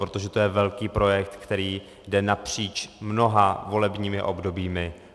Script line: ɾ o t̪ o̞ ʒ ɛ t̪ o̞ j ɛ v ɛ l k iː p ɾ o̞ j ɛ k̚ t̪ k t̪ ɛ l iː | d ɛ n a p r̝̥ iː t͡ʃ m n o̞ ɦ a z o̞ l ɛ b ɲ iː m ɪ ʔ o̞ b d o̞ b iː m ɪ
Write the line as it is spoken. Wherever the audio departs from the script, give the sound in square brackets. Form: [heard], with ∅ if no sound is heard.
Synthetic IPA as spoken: ɾ o t̪ o̞ ʒ ɛ t̪ o̞ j ɛ v ɛ l k iː p ɾ o̞ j ɛ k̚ t̪ k t̪ ɛ [ɾ] iː | d ɛ n a p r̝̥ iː t͡ʃ m n o̞ ɦ a [v] o̞ l ɛ b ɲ iː m ɪ ʔ o̞ b d o̞ b iː m ɪ

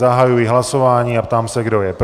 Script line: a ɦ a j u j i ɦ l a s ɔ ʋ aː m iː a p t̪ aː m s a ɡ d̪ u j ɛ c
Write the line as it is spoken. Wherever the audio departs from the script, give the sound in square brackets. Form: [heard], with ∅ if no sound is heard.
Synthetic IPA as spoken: a ɦ a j u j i ɦ l a s ɔ ʋ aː [ɲ] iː a p t̪ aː m s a ɡ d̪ [ɔ] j ɛ [p]

